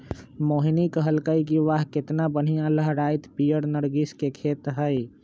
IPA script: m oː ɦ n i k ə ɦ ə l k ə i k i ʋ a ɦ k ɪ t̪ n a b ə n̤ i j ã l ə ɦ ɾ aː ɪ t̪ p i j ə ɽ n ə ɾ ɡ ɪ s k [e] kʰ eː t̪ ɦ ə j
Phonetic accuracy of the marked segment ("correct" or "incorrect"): correct